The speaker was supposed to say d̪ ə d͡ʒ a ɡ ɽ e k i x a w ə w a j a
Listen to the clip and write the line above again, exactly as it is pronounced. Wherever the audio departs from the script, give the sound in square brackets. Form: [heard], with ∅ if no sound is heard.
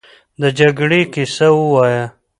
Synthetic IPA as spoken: d̪ ə d͡ʒ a ɡ ɽ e k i [s] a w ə w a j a